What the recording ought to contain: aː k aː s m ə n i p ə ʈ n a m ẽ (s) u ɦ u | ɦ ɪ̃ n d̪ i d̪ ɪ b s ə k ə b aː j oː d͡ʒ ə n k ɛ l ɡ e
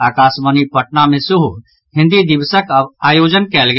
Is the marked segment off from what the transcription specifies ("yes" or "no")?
no